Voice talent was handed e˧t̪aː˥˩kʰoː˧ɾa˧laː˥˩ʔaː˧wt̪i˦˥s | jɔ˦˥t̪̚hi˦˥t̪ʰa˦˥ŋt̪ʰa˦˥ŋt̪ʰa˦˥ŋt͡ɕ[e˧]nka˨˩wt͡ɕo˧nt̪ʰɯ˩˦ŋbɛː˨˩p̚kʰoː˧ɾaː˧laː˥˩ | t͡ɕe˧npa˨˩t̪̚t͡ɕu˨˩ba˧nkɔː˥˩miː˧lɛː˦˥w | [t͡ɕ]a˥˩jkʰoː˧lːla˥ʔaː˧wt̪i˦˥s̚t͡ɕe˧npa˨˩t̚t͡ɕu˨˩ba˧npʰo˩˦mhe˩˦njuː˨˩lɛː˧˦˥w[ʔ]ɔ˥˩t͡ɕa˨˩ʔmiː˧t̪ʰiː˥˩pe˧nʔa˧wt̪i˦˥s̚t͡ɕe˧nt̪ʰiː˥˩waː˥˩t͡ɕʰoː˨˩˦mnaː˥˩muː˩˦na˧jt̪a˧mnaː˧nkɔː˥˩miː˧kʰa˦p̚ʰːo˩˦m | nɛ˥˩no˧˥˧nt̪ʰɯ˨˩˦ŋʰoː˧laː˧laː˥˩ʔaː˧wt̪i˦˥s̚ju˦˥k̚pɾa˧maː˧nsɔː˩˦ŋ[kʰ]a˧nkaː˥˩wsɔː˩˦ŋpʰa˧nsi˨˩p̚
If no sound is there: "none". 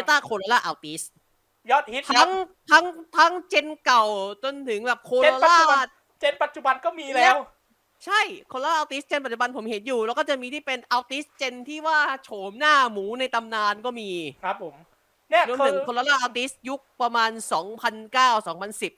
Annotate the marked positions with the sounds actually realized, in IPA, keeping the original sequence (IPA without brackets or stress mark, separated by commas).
e˧, t͡ɕʰ, k, pʰ